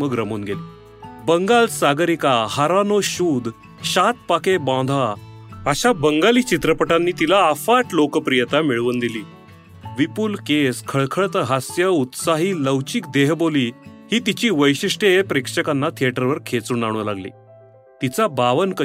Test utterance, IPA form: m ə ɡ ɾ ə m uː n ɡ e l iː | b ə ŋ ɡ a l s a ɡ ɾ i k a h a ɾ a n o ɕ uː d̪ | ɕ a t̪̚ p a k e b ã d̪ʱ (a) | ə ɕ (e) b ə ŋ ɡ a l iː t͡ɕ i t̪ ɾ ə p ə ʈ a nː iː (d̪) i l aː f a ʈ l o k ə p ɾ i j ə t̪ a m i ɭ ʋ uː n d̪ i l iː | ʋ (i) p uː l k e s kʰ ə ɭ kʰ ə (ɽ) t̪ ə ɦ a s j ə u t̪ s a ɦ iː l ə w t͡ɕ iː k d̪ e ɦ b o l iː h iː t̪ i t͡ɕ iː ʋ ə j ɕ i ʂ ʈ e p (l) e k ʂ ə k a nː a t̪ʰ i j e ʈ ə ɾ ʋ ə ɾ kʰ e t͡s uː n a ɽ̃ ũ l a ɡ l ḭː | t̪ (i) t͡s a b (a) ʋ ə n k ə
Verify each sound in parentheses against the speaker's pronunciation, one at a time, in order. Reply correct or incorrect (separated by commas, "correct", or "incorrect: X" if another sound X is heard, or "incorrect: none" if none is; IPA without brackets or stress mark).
correct, incorrect: a, incorrect: t̪, correct, incorrect: ɭ, incorrect: ɾ, correct, correct